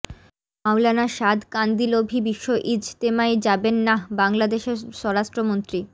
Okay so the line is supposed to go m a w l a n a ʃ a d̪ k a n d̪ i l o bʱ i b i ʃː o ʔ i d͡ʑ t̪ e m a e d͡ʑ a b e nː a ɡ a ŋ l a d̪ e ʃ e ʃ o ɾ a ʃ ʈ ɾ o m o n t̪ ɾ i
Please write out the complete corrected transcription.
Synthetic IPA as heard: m a w l a n a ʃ a d̪ k a n d̪ i l o bʱ i b i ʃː o ʔ i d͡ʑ t̪ e m a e d͡ʑ a b e nː a b a ŋ l a d̪ e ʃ e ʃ ɔ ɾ a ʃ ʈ ɾ o m o n t̪ ɾ i